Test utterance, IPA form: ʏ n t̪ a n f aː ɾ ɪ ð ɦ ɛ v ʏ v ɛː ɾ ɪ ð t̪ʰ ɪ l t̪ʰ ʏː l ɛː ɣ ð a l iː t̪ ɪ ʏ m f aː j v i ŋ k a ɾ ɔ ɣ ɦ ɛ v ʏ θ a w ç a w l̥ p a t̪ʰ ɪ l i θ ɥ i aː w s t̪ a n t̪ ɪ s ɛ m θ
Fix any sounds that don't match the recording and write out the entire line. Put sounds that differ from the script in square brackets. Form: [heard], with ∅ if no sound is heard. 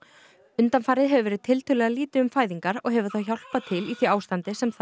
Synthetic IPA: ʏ n t̪ a n f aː ɾ ɪ ð ɦ ɛ v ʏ v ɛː ɾ ɪ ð t̪ʰ ɪ l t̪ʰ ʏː l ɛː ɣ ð a l iː t̪ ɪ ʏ m f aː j [ð] i ŋ k a ɾ ɔ ɣ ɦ ɛ v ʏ θ a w ç a w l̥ p a t̪ʰ ɪ l i θ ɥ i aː w s t̪ a n t̪ ɪ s ɛ m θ